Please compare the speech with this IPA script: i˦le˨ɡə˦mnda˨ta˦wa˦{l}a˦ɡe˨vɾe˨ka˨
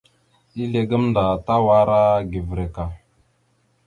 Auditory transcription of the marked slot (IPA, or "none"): ɾ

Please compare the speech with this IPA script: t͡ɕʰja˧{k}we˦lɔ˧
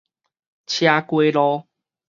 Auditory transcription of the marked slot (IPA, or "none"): k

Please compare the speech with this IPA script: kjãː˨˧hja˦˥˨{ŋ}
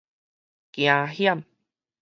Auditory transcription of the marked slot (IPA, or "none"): m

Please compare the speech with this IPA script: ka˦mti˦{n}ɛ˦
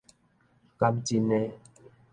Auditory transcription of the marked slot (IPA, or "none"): n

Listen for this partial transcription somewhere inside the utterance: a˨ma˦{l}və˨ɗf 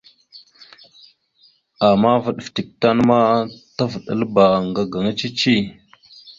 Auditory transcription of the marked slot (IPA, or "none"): none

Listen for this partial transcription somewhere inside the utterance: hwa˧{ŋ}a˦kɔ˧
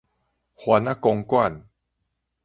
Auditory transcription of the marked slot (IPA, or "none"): n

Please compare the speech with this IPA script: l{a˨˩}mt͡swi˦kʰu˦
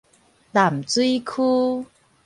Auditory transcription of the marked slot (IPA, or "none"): a˨˩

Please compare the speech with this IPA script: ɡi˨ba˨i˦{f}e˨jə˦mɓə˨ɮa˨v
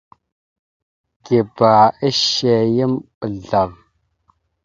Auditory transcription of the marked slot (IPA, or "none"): ʃ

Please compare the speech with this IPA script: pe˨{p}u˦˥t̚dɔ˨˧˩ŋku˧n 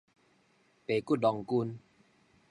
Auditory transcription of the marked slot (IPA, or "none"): k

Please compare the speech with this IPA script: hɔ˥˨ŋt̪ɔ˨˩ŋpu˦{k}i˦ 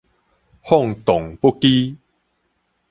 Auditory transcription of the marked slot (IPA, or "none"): k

